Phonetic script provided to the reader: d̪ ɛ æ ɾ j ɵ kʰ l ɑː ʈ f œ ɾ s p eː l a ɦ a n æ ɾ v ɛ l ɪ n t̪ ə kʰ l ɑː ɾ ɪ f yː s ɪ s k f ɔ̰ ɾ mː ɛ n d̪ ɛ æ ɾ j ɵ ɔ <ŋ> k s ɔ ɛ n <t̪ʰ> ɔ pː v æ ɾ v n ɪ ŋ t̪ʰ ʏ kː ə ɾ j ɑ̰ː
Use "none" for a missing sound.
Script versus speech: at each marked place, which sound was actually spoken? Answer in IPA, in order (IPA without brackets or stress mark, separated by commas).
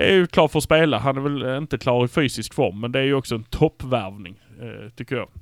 none, t̪ʰ